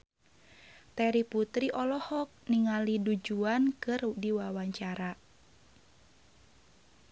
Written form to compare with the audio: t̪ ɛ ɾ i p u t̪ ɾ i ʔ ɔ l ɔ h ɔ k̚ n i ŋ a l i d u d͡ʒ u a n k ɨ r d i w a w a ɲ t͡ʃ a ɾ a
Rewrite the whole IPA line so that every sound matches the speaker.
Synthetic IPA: t̪ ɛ ɾ i p u t̪ ɾ i ʔ ɔ l ɔ h ɔ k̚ n i ŋ a l i d u d͡ʒ u a n k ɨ r d i w a w a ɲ t͡ʃ a ɾ a